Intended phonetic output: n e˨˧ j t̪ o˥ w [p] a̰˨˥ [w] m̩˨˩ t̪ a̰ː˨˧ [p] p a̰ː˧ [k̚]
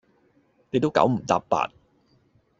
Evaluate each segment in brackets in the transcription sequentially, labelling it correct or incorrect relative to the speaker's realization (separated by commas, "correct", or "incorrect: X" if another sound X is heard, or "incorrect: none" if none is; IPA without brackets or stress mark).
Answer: incorrect: k, correct, correct, incorrect: t̚